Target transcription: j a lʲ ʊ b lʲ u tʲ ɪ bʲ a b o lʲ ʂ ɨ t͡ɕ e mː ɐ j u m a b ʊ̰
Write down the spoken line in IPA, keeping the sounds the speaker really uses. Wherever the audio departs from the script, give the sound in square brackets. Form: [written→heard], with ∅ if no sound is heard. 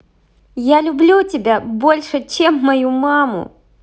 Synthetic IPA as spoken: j a lʲ ʊ b lʲ u tʲ ɪ bʲ a b o lʲ ʂ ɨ t͡ɕ e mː ɐ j u m a [b→m] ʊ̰